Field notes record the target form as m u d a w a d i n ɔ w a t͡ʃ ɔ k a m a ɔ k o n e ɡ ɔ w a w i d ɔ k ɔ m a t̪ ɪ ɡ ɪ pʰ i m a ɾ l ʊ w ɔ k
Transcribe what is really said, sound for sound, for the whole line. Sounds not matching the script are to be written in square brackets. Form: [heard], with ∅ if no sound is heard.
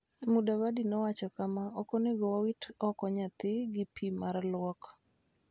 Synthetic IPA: m u d a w a d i n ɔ w a t͡ʃ ɔ k a m a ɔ k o n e ɡ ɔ w a w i [t] ɔ k ɔ [ɲ] a t̪ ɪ ɡ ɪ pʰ i m a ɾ l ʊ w ɔ k